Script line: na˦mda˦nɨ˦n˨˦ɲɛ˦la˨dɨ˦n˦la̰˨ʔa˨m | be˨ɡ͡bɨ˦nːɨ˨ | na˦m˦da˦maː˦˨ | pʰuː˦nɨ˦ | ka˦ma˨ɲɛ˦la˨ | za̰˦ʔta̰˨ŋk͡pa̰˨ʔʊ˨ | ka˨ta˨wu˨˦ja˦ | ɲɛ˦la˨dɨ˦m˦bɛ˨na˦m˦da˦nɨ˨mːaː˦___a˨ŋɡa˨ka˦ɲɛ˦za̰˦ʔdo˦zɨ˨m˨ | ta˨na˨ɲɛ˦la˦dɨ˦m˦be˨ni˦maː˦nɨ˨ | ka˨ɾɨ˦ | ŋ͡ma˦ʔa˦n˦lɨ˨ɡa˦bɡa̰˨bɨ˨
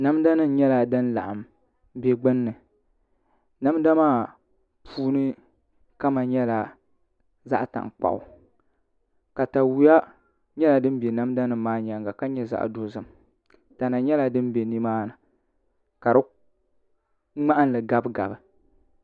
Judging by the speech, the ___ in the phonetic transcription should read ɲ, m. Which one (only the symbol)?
ɲ